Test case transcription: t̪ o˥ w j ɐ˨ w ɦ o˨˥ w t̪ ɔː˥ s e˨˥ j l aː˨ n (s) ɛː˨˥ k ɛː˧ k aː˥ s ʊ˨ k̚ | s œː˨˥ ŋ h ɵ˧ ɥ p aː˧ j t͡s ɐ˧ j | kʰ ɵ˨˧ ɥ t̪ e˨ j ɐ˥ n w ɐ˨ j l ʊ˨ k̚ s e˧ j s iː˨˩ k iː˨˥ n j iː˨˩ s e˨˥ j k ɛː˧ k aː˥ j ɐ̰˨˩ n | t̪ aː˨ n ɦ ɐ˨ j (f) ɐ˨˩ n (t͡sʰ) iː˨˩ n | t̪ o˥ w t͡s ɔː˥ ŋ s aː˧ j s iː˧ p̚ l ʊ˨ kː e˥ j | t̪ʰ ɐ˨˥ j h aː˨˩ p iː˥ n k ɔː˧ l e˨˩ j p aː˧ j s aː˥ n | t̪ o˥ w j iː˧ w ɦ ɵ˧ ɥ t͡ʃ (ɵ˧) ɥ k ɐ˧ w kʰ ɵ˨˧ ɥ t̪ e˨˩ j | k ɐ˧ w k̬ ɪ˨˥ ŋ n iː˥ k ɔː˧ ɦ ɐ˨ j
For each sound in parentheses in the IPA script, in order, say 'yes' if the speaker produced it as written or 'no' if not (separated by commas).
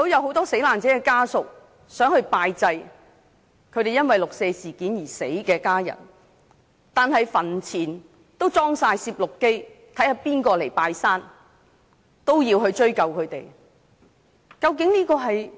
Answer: no, yes, yes, no